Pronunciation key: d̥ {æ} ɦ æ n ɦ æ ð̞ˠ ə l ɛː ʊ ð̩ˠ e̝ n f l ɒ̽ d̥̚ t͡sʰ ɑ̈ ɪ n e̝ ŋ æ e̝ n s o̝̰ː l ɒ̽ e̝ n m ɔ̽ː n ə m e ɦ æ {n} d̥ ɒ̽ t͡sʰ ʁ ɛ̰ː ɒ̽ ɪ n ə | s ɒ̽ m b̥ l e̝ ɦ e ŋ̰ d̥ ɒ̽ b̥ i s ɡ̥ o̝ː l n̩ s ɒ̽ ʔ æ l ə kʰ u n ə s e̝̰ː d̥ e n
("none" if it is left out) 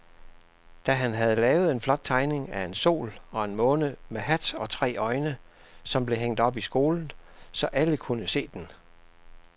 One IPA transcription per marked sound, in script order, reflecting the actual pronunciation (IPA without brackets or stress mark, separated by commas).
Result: æ, none